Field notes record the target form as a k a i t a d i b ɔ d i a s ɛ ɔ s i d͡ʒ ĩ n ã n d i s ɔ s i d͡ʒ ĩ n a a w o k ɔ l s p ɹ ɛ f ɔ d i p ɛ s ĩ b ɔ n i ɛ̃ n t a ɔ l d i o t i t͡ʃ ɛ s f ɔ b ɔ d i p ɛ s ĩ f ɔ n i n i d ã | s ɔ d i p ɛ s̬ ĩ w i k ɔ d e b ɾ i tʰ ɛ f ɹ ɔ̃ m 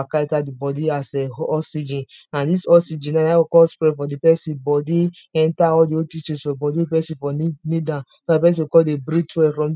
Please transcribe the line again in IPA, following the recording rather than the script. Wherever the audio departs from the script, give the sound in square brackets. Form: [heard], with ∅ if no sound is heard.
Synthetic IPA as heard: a k a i t a d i b ɔ d i a s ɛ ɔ s i d͡ʒ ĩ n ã n d i s ɔ s i d͡ʒ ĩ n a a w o k ɔ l s p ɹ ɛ f ɔ d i p ɛ s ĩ b ɔ [d] i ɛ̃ n t a ɔ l d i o t i t͡ʃ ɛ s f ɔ b ɔ d i p ɛ s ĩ f ɔ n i n i d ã | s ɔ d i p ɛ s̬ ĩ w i k ɔ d e b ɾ i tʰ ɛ f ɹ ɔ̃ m